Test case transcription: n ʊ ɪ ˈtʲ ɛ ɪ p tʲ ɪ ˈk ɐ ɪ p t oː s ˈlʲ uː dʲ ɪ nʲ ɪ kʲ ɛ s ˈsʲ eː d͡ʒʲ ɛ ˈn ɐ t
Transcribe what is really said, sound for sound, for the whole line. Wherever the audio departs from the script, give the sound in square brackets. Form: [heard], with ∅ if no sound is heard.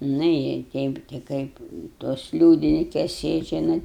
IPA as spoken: n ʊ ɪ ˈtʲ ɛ ɪ p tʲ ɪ ˈk ɐ ɪ p t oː s ˈlʲ uː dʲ ɪ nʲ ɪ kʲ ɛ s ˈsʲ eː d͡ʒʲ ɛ ˈn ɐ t